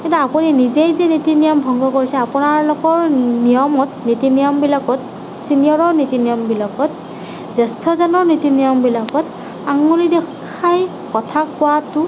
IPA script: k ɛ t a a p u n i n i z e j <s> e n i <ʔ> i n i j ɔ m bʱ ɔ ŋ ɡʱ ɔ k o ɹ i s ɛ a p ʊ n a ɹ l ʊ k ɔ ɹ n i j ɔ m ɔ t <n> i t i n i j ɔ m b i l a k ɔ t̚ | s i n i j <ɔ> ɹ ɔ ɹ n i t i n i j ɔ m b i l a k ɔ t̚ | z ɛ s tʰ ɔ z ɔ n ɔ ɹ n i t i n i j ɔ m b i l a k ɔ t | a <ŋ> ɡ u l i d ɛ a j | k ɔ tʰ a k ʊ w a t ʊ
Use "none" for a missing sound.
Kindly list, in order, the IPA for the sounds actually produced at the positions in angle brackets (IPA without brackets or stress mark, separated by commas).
z, t, n, ɔ, ŋ